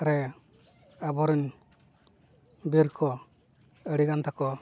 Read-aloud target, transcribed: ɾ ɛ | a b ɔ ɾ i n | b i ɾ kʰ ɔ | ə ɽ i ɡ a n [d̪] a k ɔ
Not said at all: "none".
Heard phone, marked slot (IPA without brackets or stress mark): t̪